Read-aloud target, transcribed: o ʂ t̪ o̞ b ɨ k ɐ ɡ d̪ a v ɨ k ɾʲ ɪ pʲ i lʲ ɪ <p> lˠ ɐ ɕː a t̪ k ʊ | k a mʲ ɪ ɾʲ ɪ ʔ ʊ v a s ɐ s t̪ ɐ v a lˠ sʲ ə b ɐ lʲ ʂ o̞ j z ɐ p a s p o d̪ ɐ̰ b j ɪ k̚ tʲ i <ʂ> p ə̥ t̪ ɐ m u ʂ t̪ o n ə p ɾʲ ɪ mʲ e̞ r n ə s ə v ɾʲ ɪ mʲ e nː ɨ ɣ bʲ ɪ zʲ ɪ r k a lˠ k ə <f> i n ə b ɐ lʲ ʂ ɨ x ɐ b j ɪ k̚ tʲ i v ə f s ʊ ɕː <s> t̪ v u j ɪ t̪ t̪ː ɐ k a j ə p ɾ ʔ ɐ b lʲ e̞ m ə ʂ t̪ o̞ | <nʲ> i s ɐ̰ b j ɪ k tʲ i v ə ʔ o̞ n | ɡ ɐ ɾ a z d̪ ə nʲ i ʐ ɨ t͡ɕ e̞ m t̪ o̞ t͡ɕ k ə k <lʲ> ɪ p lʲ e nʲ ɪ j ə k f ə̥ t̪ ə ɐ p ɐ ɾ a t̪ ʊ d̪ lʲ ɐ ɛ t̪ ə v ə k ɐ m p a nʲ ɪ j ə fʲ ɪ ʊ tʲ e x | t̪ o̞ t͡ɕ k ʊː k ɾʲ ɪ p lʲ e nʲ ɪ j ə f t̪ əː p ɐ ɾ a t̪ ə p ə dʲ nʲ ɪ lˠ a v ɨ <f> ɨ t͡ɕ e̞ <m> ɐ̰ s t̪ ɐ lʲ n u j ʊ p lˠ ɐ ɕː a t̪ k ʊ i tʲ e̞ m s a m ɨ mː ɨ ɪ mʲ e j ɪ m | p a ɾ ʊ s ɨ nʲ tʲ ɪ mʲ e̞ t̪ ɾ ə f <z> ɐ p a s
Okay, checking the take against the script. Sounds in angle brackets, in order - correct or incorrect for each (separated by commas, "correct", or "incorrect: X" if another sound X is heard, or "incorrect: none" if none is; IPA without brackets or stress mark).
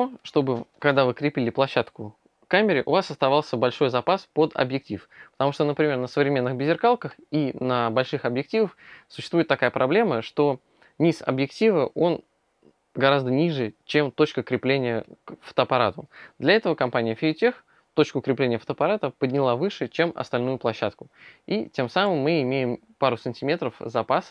correct, incorrect: f, incorrect: x, correct, correct, incorrect: ɾʲ, incorrect: ʂ, correct, correct